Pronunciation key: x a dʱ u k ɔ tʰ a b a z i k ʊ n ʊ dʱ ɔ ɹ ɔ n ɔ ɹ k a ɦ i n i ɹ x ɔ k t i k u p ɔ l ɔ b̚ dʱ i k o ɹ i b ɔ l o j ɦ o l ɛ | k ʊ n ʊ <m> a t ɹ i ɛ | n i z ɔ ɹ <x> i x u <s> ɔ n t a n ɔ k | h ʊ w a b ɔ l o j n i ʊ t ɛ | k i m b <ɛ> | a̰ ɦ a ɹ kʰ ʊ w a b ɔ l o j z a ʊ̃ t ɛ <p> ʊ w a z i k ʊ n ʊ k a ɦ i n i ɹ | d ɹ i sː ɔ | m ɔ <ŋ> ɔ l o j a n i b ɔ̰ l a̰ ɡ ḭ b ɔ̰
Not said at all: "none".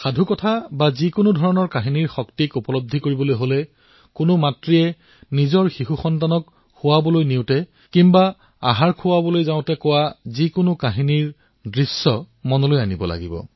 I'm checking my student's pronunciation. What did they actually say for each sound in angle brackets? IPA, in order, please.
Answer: m, x, x, a, k, n

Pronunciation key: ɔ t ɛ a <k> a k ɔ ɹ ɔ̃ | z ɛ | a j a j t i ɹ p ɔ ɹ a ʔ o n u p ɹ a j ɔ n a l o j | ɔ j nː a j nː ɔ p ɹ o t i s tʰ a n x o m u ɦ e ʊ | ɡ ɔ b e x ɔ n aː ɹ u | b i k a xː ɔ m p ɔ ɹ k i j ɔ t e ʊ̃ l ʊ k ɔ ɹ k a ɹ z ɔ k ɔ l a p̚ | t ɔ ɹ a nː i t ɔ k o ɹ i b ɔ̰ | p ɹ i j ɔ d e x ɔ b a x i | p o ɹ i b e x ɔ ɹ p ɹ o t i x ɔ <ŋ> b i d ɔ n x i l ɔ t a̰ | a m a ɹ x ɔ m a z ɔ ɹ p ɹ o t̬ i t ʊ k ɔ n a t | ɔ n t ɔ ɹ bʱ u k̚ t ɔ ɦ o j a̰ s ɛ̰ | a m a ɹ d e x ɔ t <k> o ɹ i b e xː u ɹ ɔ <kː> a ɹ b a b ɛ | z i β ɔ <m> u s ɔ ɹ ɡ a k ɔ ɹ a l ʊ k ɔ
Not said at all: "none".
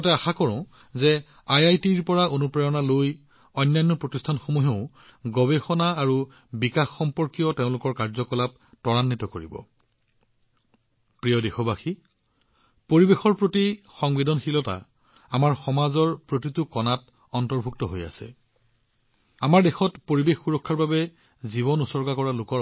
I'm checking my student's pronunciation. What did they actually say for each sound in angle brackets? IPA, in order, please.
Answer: x, ŋ, p, kʰː, n

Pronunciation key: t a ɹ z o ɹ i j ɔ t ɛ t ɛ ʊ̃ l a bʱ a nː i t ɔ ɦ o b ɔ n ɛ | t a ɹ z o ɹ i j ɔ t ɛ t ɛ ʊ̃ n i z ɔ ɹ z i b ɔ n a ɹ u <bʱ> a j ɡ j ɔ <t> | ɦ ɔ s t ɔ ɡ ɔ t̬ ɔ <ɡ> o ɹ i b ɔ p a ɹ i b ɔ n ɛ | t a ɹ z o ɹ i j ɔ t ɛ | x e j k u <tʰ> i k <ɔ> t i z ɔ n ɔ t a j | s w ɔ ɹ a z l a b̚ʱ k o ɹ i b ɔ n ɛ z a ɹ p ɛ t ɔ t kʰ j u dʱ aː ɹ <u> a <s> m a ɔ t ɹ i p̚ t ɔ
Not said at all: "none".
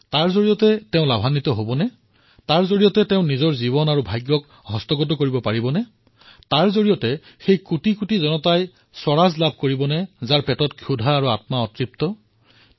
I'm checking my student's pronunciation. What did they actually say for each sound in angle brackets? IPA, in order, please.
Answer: bʱ, k, k, t, u, u, t

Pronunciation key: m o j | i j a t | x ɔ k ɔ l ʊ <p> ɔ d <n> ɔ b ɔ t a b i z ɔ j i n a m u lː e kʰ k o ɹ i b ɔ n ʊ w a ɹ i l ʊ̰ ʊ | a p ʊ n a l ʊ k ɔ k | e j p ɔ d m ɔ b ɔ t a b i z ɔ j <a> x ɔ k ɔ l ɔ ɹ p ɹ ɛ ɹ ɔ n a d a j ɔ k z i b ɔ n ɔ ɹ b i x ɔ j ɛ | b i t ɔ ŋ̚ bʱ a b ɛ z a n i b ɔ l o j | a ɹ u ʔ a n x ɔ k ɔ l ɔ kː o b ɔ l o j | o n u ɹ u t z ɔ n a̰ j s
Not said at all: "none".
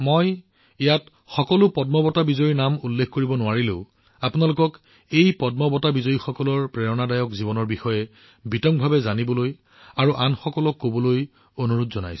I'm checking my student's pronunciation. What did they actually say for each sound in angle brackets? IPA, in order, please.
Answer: p, m, i

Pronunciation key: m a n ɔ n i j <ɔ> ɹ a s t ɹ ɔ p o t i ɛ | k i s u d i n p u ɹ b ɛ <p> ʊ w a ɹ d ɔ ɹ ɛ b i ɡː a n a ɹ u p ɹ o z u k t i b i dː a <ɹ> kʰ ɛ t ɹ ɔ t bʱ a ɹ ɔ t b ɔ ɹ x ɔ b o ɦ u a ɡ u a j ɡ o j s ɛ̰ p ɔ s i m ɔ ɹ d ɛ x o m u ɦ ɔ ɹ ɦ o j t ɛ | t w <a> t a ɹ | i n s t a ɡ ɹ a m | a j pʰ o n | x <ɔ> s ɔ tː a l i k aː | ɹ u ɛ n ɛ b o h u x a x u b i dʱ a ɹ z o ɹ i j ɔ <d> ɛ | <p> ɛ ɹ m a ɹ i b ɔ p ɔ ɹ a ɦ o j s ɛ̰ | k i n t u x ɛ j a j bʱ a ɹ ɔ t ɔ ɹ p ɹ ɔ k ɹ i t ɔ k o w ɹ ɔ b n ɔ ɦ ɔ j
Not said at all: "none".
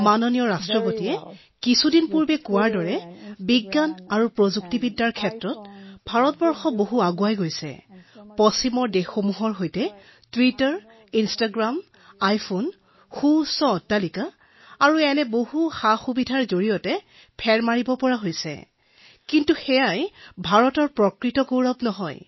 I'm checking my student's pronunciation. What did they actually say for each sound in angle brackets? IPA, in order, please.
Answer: ɔ, k, ɹ, i, u, t, pʰ

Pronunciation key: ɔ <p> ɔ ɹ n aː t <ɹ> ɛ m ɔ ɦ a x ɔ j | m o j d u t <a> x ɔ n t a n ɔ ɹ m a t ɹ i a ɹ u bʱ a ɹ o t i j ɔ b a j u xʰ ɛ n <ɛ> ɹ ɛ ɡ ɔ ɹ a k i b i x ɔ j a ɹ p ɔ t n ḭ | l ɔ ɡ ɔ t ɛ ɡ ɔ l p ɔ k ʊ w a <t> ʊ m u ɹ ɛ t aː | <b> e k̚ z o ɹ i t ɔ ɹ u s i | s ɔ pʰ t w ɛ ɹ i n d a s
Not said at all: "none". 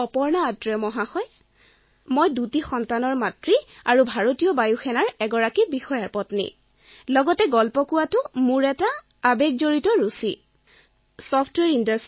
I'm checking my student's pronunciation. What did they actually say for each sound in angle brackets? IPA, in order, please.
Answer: p, ɹ, i, a, t, b

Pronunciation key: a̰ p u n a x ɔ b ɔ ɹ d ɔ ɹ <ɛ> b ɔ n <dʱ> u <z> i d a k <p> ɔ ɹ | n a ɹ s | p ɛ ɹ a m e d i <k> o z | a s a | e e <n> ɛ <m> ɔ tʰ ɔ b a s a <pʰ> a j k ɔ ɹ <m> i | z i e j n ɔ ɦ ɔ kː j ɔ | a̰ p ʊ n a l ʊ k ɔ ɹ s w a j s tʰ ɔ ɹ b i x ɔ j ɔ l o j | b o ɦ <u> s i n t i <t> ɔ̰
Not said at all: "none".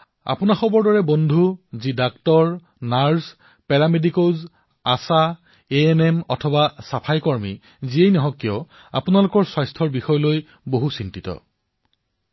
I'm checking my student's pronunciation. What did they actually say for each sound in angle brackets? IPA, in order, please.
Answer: ɛ, dʱ, z, t, k, n, m, pʰ, m, u, t

